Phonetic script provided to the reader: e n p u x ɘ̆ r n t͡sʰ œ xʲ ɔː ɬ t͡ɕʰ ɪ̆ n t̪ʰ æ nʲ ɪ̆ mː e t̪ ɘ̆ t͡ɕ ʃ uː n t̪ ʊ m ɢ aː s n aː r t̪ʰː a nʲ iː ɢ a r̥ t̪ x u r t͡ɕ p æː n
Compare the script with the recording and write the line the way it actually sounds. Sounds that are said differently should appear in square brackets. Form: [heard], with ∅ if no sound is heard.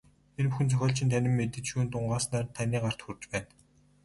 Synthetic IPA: e n p u x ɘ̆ [∅] n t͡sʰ œ xʲ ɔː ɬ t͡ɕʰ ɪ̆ n t̪ʰ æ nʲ ɪ̆ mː e t̪ ɘ̆ t͡ɕ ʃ uː n t̪ ʊ [ɴ] ɢ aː s n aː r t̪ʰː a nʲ iː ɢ a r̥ t̪ x u r t͡ɕ p æː n